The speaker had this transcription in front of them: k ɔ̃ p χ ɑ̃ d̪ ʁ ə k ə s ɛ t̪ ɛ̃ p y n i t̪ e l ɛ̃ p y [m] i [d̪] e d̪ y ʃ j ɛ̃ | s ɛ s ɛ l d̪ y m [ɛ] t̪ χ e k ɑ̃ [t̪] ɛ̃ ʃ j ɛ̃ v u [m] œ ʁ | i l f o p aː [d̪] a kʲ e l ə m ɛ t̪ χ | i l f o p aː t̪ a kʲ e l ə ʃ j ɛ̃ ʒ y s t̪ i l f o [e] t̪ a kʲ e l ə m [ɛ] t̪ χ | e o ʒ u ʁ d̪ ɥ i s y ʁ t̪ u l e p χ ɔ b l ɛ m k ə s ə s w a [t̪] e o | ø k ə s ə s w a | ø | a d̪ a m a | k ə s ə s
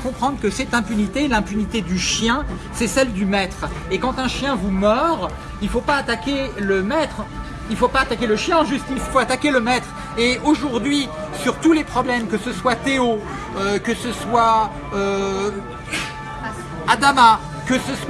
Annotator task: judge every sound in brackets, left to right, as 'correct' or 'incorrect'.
incorrect, incorrect, correct, correct, correct, incorrect, incorrect, correct, correct

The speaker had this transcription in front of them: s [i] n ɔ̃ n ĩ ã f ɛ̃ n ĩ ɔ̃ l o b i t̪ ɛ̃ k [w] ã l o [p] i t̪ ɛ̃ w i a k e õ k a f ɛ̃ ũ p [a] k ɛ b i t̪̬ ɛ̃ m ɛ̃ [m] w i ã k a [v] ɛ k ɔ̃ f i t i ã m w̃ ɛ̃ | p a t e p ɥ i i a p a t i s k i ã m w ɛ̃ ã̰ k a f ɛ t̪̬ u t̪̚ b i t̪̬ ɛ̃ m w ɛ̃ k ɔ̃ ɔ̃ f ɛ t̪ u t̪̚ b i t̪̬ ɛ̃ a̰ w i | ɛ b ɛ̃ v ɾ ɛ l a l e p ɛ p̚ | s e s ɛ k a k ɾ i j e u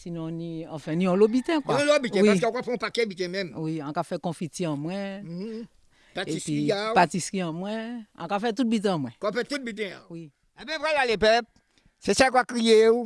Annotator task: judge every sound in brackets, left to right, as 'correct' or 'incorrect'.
correct, correct, incorrect, correct, correct, incorrect

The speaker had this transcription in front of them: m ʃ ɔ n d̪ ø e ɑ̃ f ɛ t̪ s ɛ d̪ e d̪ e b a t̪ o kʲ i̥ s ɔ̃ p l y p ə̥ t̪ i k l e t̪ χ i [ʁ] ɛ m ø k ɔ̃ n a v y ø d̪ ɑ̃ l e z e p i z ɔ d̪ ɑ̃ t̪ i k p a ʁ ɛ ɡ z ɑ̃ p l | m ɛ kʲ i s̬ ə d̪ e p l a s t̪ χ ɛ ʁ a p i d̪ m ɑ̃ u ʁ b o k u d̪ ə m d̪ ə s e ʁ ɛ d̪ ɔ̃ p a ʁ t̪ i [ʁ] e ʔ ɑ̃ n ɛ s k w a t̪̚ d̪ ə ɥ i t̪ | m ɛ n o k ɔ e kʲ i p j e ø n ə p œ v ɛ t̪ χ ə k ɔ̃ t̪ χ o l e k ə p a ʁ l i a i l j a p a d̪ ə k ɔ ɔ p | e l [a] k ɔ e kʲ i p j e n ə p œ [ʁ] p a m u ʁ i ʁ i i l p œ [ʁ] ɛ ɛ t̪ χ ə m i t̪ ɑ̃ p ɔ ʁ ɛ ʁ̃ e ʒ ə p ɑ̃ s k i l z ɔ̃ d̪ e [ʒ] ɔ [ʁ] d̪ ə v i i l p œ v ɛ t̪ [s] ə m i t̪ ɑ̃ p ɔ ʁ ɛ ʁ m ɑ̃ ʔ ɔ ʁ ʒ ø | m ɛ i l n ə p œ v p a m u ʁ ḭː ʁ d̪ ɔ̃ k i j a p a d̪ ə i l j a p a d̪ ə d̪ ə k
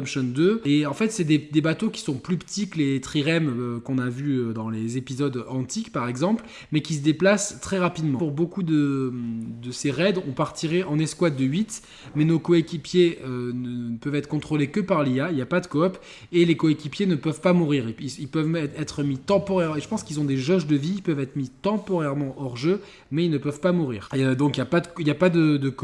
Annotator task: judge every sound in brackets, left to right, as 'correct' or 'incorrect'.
correct, correct, incorrect, incorrect, incorrect, correct, incorrect, incorrect

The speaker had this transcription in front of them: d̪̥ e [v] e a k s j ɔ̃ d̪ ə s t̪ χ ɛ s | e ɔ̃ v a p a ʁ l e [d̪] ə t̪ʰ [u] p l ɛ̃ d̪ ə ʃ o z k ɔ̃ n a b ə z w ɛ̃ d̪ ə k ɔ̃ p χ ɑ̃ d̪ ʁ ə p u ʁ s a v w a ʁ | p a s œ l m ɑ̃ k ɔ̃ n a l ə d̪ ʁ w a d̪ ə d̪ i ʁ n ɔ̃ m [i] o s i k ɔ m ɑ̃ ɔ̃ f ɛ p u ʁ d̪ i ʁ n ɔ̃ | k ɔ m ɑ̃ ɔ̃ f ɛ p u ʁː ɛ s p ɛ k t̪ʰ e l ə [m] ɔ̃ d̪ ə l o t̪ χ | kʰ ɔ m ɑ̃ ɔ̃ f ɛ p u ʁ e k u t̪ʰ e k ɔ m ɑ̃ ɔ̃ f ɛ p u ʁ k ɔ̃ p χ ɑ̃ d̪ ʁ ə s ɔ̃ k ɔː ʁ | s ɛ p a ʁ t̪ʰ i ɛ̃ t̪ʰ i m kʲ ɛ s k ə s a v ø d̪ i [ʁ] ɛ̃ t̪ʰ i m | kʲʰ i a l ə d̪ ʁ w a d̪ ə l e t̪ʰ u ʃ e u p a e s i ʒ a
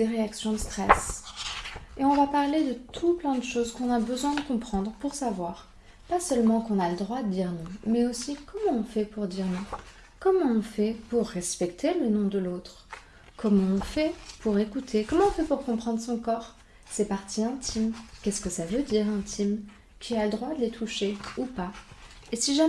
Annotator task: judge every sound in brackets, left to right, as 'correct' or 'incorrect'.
incorrect, correct, correct, incorrect, incorrect, correct

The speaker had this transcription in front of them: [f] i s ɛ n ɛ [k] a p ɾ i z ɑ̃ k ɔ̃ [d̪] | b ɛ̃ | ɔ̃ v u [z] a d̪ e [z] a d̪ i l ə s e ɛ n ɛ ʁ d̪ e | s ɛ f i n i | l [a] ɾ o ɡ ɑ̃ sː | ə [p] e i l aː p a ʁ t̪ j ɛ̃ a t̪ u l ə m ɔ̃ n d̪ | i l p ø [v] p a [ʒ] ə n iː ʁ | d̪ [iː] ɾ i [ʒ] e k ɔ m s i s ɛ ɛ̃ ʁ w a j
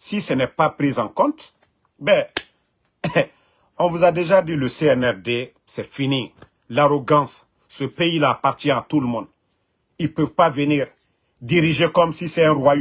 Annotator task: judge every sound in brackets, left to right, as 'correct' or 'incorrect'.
incorrect, incorrect, incorrect, correct, incorrect, correct, correct, correct, incorrect, incorrect, correct

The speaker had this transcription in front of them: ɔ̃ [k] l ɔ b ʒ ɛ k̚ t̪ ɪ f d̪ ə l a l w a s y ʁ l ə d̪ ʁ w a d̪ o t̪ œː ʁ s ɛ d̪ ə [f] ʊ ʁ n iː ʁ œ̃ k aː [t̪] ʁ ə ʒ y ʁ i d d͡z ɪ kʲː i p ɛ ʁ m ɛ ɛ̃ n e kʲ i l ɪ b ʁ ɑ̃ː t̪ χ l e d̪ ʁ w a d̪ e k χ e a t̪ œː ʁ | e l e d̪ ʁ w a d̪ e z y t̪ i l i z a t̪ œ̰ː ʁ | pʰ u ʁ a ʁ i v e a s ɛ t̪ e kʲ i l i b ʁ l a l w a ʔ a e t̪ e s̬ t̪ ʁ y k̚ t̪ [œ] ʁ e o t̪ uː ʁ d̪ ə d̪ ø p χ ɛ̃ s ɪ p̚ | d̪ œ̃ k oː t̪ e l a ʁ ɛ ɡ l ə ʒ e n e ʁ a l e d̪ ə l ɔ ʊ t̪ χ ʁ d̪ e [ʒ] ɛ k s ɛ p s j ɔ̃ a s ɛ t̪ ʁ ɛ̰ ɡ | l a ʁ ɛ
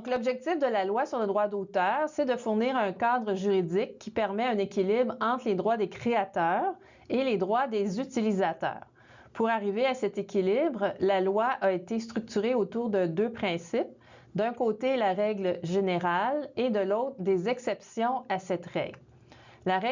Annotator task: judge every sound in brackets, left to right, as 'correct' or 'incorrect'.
correct, correct, incorrect, incorrect, incorrect

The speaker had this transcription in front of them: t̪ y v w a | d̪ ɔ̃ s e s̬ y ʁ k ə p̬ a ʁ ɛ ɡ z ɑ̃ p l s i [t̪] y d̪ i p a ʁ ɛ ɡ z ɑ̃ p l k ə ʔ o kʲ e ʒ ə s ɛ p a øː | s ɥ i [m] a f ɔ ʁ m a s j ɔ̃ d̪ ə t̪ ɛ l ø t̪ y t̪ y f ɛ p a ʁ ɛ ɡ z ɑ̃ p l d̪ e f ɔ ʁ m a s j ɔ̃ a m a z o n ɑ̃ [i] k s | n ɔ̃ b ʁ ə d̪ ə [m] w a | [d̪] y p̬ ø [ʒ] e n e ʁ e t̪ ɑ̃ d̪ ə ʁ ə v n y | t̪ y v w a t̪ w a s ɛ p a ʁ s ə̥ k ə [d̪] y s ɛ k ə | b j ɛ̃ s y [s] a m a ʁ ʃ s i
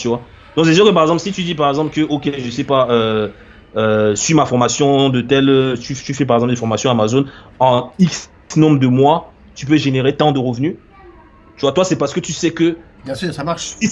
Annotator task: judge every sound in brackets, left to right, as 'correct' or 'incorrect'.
correct, correct, correct, correct, incorrect, correct, incorrect, correct

